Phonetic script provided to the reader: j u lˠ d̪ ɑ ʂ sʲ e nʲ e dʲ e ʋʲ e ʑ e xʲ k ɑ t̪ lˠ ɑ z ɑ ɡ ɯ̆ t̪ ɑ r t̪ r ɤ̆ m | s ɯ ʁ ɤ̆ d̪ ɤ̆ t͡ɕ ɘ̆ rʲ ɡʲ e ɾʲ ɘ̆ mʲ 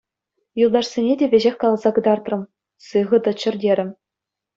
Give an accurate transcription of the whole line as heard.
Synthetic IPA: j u lˠ d̪ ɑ ʂ sʲ e nʲ e dʲ e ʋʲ e ʑ e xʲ k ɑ lˠ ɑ z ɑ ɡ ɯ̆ d̪ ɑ r t̪ r ɤ̆ m | s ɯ ʁ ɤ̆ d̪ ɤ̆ t͡ɕ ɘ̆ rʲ dʲ e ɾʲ ɘ̆ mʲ